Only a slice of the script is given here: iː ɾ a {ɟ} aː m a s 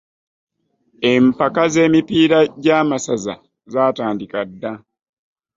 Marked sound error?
no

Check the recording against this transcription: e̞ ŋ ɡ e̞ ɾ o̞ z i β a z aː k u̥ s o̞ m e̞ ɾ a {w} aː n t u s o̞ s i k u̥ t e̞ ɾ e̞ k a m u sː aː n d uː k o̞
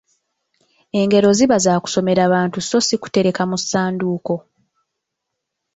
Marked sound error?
yes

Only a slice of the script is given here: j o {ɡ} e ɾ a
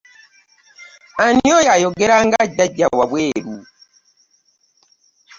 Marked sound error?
no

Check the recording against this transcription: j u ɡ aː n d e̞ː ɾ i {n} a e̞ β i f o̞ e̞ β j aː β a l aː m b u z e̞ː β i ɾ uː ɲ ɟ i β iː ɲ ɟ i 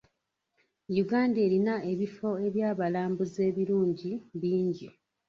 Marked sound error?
no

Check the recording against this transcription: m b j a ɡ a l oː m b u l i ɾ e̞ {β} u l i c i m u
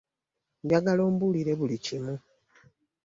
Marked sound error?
no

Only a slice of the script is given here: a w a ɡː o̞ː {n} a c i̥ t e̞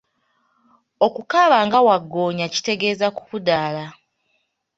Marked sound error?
yes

